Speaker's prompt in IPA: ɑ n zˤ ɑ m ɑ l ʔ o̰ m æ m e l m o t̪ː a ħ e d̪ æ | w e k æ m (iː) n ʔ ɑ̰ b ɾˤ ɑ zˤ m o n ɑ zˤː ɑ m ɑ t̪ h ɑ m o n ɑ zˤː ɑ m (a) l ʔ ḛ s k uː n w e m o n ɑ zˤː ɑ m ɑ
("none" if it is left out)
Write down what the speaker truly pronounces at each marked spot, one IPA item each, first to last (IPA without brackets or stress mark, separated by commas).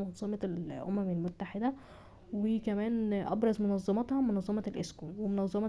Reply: æː, ɑ